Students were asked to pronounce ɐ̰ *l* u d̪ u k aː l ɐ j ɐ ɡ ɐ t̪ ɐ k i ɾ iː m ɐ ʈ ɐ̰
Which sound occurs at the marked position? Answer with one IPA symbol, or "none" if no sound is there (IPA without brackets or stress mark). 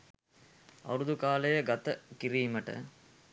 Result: ɾ